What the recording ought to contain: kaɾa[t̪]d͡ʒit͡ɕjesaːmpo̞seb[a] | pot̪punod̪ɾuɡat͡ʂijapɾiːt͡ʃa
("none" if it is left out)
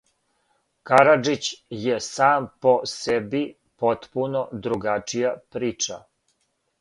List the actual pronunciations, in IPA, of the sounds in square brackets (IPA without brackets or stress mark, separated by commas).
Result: none, i